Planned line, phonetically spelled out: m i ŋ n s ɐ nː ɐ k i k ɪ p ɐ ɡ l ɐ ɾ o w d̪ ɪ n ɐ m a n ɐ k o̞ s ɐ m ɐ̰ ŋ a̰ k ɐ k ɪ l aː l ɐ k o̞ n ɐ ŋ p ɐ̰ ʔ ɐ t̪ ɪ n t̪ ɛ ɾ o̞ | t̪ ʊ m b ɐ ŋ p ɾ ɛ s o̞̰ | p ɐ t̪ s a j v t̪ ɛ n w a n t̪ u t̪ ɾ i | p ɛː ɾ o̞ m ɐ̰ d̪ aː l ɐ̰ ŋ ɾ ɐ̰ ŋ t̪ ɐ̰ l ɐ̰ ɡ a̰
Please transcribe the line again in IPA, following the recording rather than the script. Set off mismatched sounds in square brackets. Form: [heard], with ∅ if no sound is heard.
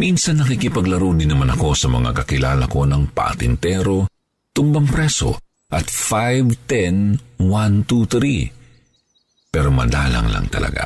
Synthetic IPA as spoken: m i [∅] n s ɐ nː ɐ k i k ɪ p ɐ ɡ l ɐ ɾ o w d̪ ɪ n ɐ m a n ɐ k o̞ s ɐ m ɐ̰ ŋ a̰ k ɐ k ɪ l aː l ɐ k o̞ n ɐ ŋ p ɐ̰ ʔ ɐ t̪ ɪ n t̪ ɛ ɾ o̞ | t̪ ʊ m b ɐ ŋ p ɾ ɛ s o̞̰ | [ʔ] ɐ t̪ [f] a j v t̪ ɛ n w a n t̪ u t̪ ɾ i | p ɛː ɾ o̞ m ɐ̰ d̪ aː l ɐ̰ ŋ [l] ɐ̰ ŋ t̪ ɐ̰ l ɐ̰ ɡ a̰